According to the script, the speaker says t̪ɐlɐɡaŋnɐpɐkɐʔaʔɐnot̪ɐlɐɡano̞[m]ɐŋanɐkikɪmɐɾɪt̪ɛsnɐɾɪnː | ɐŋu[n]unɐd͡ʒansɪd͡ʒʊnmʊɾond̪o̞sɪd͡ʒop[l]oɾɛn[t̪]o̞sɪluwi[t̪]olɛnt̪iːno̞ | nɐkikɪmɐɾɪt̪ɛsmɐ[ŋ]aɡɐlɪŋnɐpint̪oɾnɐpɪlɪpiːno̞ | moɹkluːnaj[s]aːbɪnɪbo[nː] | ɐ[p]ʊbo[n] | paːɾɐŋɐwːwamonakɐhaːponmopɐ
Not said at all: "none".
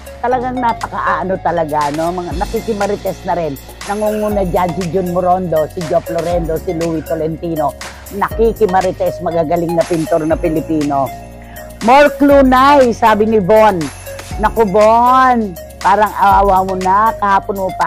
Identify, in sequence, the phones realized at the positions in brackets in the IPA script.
m, ŋ, l, d̪, t̪, ɡ, s, nː, k, n

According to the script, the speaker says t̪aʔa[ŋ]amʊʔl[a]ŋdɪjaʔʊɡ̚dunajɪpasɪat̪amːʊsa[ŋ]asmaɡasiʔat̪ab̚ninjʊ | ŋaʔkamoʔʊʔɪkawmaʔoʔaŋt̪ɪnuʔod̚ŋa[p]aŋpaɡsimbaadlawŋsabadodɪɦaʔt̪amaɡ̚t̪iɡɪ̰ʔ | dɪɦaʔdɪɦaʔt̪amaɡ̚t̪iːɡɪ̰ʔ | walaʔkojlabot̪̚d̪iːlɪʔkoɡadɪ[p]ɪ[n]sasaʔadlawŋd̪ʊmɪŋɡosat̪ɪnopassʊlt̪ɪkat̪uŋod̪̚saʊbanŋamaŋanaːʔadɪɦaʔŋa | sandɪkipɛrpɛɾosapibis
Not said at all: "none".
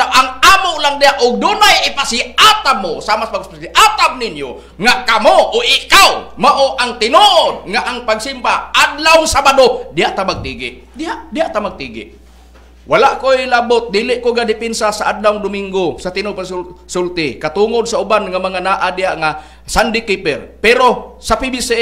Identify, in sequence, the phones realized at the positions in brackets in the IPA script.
ŋ, a, m, ʔ, p, n

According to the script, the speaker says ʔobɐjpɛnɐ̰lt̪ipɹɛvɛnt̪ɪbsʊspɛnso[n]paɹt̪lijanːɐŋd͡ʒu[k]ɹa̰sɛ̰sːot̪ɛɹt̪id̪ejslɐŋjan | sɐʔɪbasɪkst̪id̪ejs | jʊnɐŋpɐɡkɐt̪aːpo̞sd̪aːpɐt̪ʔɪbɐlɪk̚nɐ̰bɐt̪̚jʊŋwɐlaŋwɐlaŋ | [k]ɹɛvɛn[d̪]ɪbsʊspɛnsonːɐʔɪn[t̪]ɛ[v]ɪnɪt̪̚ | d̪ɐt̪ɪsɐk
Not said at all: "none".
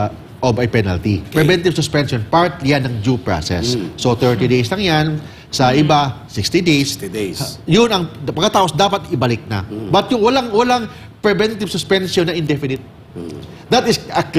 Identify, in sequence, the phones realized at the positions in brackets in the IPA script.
n, p, p, t̪, d̪, f

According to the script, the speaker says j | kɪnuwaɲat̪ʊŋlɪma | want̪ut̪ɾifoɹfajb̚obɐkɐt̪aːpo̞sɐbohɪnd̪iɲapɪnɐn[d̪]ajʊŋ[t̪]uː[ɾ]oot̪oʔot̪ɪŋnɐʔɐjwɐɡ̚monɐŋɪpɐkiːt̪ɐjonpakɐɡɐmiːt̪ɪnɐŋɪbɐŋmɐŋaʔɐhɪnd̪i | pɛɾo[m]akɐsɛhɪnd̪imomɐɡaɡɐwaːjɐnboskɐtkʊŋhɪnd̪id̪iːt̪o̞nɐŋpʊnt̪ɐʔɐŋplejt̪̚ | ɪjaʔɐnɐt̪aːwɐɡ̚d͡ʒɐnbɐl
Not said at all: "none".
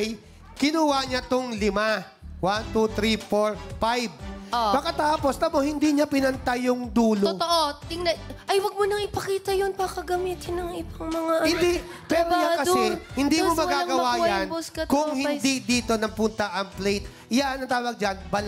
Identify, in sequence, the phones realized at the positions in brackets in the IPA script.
t̪, d̪, l, ɲ

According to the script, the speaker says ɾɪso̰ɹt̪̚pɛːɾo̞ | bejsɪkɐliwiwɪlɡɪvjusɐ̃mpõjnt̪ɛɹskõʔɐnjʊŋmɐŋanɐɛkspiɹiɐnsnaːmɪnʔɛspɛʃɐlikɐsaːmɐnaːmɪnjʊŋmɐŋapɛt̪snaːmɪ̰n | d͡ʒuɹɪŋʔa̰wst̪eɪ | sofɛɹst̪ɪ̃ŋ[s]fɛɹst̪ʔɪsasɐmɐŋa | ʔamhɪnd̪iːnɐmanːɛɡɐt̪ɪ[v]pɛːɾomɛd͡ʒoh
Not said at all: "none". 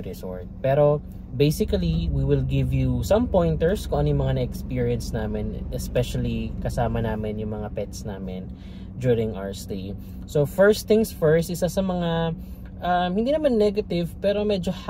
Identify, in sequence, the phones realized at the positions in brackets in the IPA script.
s, v

